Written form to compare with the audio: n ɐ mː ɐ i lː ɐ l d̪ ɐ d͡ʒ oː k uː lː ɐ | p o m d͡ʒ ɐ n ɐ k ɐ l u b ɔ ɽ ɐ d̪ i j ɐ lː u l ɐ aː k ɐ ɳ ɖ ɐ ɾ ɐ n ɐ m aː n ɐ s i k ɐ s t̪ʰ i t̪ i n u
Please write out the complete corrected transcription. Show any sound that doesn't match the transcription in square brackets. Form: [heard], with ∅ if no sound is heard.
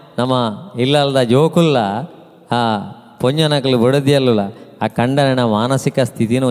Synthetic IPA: n ɐ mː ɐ i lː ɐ l d̪ ɐ d͡ʒ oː k [u] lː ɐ | p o [ɲ] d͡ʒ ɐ n ɐ k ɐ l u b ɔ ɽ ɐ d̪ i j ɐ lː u l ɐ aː k ɐ ɳ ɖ ɐ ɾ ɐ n ɐ m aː n ɐ s i k ɐ s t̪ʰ i t̪ i n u